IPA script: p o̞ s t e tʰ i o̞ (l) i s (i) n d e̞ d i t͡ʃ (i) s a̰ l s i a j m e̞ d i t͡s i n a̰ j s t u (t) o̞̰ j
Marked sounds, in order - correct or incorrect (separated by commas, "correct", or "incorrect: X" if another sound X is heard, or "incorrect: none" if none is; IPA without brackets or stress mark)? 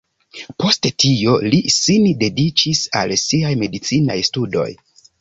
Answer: correct, correct, correct, incorrect: d